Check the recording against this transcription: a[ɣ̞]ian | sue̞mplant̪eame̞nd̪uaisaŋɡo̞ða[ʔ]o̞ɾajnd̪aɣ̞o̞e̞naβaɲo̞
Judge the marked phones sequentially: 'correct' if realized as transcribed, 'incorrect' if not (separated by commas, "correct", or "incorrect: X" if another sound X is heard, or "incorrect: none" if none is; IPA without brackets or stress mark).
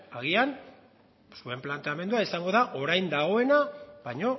correct, correct